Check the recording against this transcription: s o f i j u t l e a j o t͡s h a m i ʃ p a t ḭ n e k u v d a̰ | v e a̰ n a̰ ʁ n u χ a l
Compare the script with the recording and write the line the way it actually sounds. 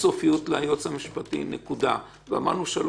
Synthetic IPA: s o f i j u t l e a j o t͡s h a m i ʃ p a t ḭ n e k u d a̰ | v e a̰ m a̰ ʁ n u ʃ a l